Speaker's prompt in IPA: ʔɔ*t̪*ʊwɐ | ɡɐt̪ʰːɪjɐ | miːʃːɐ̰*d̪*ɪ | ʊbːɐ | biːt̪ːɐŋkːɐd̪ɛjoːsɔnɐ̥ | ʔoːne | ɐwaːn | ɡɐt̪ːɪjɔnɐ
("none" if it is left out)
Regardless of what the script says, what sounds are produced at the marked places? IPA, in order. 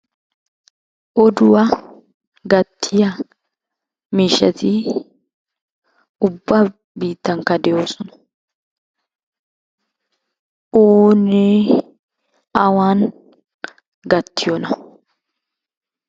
d̪, t̪

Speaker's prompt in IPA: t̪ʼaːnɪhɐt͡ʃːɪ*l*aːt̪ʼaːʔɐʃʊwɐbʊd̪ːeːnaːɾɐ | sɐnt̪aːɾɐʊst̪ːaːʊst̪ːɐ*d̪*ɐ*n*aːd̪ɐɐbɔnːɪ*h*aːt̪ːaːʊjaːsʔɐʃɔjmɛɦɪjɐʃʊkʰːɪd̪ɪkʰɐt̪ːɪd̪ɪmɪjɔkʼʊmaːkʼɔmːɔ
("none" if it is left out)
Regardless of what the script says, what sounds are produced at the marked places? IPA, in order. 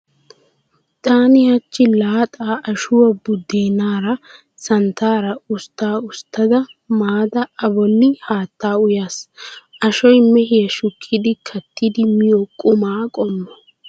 l, d̪, m, h

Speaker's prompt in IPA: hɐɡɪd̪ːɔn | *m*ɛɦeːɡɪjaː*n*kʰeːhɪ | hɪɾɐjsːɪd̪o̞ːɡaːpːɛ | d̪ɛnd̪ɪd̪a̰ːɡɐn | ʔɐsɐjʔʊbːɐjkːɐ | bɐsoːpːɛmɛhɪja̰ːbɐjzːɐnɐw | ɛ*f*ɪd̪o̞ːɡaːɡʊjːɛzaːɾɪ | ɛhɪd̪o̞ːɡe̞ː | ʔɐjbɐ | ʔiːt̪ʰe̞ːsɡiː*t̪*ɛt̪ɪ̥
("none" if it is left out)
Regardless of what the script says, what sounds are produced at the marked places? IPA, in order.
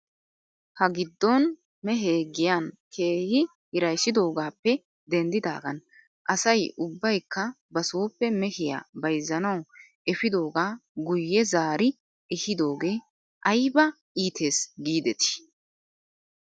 m, n, f, d̪

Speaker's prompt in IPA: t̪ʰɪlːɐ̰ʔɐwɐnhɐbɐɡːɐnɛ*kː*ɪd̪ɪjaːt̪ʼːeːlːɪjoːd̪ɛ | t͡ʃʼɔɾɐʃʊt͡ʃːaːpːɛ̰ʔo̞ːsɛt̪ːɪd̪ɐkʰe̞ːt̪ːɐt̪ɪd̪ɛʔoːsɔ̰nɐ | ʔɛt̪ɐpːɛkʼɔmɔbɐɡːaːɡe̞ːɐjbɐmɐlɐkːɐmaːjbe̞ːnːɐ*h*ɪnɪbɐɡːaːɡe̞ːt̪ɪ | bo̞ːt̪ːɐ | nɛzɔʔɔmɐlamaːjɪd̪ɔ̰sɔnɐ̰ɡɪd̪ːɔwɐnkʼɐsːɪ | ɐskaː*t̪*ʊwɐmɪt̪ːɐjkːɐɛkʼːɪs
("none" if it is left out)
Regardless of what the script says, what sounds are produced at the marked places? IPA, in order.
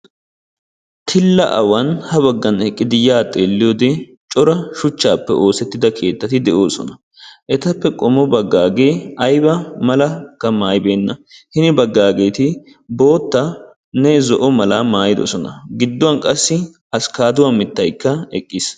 kʼː, h, d̪

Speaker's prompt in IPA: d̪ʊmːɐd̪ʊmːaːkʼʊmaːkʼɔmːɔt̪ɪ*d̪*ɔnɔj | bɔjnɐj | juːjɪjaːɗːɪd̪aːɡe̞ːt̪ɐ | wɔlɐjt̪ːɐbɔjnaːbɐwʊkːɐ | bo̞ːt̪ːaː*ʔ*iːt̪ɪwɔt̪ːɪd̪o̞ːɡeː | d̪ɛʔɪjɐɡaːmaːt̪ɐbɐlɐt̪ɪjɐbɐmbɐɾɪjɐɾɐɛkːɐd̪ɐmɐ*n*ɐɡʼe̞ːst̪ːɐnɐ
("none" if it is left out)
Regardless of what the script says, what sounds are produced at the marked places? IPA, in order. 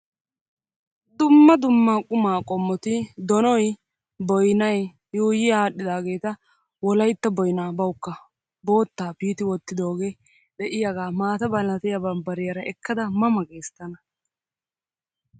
d̪, p, m

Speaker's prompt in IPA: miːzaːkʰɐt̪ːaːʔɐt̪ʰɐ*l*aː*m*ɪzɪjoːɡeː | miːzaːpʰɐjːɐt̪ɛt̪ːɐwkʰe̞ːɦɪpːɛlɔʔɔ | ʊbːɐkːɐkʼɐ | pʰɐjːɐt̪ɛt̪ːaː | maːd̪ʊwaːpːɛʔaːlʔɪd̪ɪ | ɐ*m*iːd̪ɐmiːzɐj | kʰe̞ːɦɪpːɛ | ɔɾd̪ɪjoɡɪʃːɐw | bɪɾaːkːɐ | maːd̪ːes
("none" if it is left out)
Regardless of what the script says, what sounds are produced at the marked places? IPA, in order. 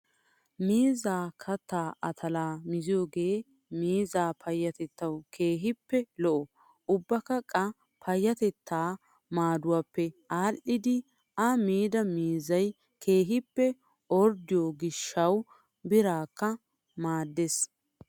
l, m, m

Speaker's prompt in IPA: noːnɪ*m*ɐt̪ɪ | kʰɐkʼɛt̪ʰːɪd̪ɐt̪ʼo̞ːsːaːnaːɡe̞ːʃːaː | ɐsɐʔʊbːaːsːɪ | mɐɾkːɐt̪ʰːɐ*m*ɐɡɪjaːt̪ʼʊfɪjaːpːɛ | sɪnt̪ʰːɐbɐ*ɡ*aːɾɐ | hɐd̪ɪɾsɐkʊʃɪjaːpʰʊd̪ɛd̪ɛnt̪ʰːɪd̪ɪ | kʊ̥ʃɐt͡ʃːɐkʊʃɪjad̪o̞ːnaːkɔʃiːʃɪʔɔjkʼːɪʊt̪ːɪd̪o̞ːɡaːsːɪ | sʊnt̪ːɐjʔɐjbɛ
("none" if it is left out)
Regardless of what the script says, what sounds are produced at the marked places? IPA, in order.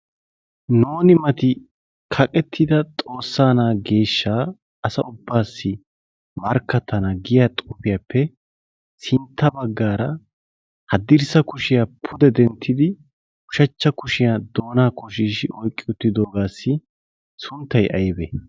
m, n, ɡː

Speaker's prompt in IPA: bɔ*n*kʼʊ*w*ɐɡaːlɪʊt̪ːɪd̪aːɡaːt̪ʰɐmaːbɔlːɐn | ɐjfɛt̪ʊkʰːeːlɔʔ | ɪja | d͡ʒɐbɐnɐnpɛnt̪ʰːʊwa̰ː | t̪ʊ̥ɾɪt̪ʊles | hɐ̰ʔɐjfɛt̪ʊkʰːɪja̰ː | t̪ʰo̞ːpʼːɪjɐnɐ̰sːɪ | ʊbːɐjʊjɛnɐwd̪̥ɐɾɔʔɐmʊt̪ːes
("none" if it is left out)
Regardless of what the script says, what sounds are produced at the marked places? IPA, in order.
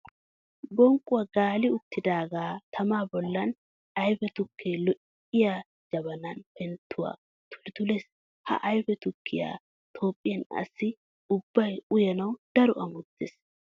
ŋ, w

